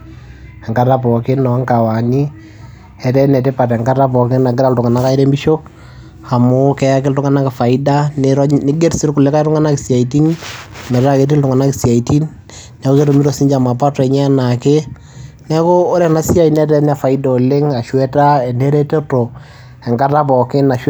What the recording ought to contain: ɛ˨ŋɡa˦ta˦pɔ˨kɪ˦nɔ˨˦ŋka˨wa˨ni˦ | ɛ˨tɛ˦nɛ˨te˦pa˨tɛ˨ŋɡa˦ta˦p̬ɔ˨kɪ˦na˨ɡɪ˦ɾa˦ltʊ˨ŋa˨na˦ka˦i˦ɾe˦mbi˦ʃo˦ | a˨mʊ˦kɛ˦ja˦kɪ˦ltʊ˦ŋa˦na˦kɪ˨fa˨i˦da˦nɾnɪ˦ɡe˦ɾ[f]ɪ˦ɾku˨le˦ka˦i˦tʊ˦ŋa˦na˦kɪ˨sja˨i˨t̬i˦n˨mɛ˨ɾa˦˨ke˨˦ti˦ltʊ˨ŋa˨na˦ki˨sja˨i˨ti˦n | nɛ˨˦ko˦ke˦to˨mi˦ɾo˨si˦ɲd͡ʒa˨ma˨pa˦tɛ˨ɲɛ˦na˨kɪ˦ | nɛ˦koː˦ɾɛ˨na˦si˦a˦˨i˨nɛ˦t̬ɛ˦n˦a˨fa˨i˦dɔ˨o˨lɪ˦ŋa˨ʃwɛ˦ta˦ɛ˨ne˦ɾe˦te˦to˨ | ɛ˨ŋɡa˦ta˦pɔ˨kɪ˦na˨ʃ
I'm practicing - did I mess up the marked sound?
yes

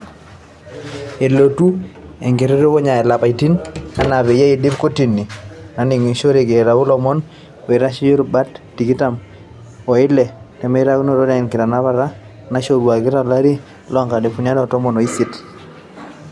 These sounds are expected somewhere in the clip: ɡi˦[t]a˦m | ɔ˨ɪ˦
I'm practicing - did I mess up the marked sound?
no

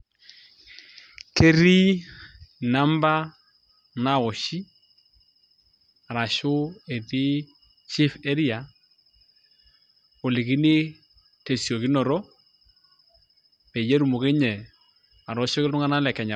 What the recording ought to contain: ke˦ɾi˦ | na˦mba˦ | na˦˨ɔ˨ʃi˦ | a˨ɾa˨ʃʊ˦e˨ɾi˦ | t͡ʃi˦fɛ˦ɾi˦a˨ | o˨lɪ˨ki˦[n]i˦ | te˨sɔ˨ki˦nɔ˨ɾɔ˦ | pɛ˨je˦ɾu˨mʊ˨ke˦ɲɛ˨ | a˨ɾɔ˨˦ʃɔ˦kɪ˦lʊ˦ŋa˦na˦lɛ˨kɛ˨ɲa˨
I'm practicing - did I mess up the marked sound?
no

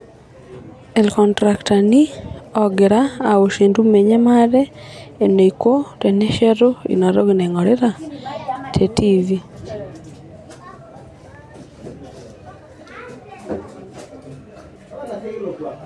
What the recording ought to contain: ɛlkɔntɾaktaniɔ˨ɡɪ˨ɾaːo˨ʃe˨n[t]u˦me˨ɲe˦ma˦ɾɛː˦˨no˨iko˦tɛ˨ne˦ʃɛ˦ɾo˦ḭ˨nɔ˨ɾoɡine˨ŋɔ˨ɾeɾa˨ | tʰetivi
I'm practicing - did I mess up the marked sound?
yes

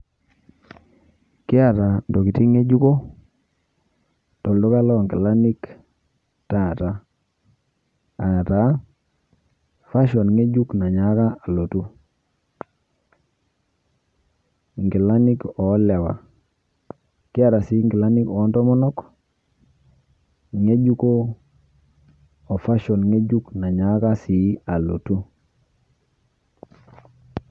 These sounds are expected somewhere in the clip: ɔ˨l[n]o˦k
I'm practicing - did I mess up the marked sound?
yes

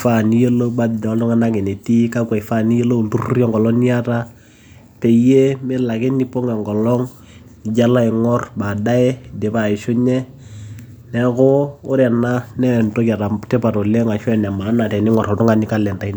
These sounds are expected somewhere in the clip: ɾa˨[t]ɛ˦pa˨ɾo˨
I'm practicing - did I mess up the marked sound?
no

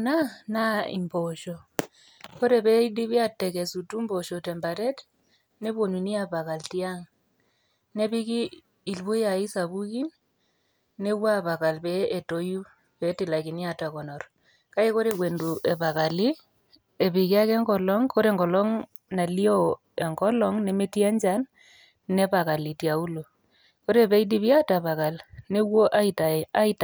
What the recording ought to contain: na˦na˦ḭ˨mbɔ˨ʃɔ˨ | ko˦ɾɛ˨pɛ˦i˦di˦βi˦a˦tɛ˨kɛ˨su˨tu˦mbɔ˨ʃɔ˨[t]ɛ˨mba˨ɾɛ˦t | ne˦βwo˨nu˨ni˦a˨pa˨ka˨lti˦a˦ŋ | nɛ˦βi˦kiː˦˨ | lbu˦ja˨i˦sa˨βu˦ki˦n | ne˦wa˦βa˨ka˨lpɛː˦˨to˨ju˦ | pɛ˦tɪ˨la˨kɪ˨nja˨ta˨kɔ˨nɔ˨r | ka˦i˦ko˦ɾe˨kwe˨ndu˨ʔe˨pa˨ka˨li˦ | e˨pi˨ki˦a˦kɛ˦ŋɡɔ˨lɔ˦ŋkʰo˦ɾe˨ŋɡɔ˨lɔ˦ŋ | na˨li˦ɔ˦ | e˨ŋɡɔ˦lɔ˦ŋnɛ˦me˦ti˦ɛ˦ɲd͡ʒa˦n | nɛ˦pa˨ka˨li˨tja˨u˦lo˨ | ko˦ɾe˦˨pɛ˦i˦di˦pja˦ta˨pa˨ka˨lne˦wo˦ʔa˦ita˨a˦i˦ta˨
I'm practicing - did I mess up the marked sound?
no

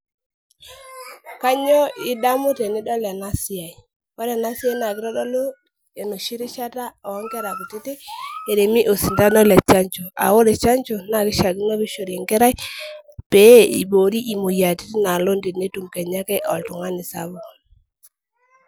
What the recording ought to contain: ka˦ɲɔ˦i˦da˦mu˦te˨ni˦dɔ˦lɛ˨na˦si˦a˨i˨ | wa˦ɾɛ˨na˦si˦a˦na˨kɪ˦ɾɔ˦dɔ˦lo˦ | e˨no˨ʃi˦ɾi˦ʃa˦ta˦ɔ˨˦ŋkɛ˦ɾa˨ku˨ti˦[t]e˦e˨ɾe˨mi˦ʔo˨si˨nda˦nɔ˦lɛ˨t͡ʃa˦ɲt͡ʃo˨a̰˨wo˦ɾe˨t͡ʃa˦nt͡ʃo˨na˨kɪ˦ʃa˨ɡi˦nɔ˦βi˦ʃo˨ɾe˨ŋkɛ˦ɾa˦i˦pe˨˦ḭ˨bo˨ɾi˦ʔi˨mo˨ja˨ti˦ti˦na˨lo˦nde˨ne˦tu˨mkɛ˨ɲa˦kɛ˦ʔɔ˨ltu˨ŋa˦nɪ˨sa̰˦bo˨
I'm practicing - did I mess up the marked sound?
no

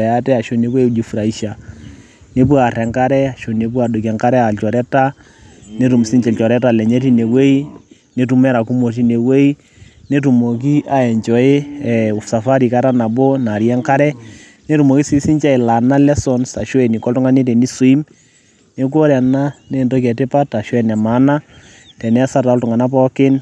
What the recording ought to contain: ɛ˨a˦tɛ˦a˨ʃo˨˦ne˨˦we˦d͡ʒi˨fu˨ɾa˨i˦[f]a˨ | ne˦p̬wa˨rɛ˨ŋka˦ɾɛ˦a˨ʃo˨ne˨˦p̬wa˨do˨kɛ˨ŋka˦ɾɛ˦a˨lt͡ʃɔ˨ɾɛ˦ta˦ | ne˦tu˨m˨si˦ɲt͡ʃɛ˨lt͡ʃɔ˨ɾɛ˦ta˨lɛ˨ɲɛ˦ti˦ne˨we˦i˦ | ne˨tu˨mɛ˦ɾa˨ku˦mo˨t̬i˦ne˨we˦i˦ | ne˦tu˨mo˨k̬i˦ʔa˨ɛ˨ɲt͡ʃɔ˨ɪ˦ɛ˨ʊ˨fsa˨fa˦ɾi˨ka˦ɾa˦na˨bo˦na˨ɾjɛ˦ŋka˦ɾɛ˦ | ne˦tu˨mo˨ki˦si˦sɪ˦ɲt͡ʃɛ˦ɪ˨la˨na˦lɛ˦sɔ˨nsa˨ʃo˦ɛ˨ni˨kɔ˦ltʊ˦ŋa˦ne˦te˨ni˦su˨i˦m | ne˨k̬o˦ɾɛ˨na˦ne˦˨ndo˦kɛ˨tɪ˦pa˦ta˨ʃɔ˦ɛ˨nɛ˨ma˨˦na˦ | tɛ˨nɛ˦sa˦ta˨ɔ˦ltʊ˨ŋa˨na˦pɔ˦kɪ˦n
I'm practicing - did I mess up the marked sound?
yes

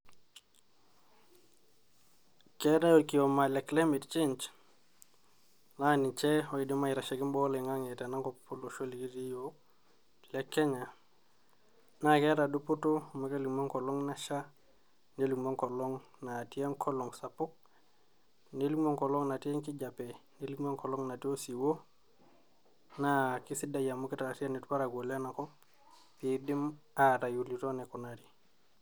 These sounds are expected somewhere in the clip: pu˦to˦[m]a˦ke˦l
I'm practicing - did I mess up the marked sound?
no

